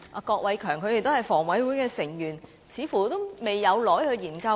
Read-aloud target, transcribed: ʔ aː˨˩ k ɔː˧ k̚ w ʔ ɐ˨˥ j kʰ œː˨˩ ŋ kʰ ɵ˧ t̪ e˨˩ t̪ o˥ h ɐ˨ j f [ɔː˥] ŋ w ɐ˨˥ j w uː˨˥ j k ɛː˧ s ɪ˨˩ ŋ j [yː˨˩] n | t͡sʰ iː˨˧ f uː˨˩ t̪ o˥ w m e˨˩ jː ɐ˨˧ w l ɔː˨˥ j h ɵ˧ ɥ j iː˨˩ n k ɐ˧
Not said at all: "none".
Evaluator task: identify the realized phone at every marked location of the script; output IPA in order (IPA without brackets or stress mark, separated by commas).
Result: ɔː˨˩, yː˨˩